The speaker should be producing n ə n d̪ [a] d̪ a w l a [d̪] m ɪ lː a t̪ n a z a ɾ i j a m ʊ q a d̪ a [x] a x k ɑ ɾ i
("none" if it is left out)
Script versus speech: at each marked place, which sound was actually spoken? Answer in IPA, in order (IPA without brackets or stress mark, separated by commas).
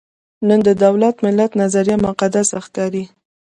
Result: ə, t̪, s